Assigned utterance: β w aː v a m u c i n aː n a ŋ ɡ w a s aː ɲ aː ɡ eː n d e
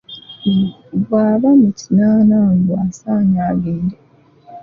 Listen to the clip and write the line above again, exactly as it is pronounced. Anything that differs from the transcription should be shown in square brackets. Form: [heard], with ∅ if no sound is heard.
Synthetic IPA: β w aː [β] a m u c i n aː n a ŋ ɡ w a s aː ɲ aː ɡ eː n d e